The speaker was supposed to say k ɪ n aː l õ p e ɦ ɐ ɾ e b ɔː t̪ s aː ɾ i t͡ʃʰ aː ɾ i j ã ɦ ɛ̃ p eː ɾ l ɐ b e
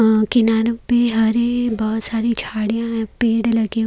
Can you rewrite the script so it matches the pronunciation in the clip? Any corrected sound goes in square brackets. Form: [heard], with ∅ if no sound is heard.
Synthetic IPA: k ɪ n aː [ɾ] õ p e ɦ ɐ ɾ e b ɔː t̪ s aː ɾ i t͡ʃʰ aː [ɽ] i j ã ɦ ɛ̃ p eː [ɽ] l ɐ [ɡ] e